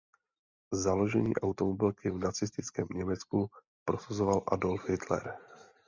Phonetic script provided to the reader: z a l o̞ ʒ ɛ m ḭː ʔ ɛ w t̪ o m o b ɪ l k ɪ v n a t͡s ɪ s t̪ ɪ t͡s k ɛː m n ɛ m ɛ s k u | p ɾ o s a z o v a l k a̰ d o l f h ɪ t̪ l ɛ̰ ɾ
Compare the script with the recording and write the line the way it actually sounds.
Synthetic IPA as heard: z a l o̞ ʒ ɛ ɲ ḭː ʔ a w t̪ o m o b ɪ l k ɪ v n a t͡s ɪ s t̪ ɪ t͡s k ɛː m ɲ ɛ m ɛ t͡s k u | p ɾ o s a z o v a l ʔ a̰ d o l f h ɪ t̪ l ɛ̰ ɾ